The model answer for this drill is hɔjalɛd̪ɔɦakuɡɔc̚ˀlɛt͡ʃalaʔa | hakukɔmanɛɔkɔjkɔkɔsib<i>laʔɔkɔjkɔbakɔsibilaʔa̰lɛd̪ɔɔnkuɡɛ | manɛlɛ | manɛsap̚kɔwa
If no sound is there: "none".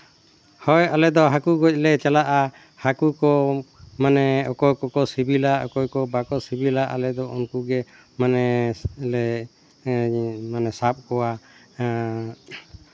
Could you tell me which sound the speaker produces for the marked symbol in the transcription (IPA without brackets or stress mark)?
i